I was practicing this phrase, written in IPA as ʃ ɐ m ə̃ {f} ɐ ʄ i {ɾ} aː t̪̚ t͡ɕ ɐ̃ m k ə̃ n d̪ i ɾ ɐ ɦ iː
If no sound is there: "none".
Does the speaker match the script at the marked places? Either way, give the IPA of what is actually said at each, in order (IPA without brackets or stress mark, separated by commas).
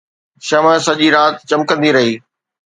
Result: s, ɾ